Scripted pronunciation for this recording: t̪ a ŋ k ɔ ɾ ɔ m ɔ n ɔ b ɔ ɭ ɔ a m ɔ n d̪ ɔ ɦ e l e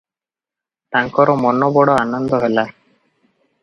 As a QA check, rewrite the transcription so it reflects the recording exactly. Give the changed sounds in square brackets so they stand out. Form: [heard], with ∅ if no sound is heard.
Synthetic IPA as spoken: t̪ a ŋ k ɔ ɾ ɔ m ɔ n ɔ b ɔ [ɽ] ɔ a [n] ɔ n d̪ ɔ ɦ e l [a]